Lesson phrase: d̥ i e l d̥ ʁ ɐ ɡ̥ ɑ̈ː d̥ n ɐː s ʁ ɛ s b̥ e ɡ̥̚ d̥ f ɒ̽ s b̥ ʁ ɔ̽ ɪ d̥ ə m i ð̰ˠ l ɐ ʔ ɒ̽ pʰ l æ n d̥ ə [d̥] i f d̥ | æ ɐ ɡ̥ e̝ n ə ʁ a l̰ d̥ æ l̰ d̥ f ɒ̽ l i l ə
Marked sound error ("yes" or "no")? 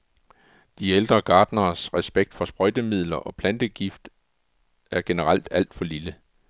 yes